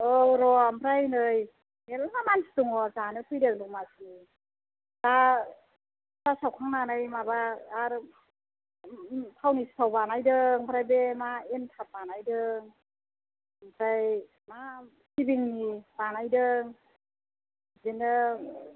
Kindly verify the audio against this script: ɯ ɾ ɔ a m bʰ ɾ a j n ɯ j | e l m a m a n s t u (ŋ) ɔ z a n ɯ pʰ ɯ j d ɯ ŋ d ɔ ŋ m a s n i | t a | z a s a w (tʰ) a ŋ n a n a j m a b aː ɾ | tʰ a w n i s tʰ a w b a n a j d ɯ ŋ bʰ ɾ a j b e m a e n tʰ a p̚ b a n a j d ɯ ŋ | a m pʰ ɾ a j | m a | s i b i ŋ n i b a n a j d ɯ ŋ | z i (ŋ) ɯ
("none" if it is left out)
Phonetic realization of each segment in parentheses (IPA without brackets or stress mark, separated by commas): ŋ, kʰ, n